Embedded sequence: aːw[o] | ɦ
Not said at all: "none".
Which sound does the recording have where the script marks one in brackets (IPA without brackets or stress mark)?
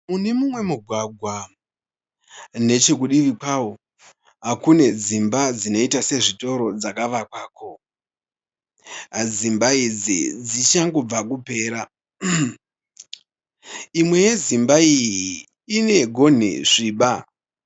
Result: o